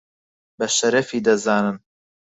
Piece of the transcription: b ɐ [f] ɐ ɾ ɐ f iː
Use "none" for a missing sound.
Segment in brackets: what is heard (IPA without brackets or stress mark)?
ʃ